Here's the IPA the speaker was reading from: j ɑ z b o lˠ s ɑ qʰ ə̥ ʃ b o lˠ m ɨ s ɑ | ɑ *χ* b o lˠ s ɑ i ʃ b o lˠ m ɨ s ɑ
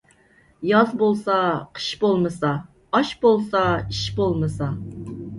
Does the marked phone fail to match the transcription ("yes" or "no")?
yes